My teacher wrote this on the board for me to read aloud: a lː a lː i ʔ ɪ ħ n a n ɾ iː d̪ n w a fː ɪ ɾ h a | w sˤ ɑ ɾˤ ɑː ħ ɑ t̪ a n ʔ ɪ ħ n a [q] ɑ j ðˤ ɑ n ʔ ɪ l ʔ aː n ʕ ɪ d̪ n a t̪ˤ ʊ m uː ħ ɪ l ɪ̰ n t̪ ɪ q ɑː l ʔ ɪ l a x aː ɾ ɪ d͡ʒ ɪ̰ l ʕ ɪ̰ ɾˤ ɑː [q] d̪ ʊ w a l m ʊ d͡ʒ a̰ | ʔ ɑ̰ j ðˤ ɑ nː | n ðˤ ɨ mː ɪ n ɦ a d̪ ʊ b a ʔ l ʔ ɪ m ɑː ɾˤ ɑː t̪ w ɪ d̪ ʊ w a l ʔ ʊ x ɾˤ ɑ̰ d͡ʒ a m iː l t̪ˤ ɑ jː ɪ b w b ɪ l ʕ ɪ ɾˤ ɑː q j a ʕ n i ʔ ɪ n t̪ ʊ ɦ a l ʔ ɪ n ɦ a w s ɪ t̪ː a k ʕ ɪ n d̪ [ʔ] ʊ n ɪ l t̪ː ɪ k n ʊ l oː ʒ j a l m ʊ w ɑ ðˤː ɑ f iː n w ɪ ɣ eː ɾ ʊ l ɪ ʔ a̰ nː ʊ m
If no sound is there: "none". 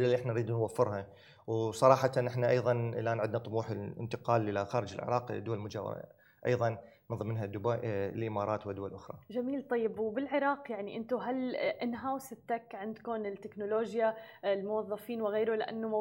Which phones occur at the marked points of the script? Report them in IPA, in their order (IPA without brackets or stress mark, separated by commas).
ʔ, q, k